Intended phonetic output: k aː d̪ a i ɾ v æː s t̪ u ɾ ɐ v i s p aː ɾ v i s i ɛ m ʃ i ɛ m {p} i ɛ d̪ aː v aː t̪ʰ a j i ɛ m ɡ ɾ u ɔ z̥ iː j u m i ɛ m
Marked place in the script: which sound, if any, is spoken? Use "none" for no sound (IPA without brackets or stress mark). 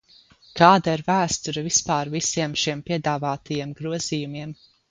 p